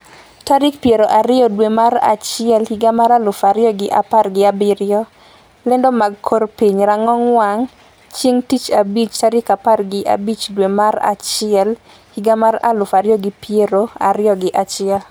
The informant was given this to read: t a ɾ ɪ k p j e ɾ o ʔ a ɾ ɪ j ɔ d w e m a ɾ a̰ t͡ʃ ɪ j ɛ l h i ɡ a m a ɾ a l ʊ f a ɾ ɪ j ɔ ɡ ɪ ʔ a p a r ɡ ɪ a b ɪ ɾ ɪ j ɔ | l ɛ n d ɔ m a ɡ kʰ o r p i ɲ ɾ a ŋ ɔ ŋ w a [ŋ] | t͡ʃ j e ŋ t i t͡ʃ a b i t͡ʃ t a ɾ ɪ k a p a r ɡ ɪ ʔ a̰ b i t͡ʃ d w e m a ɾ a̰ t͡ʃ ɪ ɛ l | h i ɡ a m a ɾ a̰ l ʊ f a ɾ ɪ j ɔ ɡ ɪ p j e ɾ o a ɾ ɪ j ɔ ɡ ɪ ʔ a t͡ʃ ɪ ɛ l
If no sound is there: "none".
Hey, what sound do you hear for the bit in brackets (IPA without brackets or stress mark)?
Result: ŋ